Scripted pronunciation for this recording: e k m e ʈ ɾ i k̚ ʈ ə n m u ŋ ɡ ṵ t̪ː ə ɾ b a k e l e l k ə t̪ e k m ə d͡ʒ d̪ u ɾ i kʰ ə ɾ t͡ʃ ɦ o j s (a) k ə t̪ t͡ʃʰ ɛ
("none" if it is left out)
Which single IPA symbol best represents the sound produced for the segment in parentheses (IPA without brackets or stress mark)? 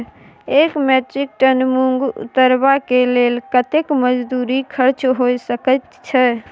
ə